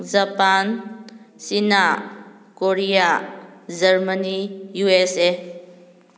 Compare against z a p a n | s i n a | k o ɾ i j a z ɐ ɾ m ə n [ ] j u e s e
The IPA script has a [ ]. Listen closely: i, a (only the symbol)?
i